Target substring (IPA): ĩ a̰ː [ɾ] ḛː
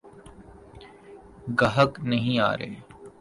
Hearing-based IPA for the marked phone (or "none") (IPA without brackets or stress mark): ɾ